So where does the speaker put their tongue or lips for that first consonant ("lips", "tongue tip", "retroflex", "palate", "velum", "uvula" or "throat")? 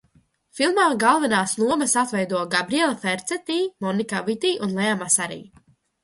lips